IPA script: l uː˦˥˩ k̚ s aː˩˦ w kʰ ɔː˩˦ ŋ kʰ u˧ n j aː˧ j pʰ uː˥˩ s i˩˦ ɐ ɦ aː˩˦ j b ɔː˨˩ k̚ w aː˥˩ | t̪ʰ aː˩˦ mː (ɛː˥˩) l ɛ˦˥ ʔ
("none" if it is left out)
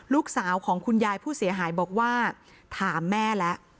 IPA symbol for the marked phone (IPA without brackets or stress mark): ɛː˥˩